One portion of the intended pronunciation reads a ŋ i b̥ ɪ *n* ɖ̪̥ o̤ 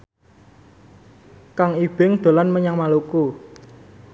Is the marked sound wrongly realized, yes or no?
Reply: yes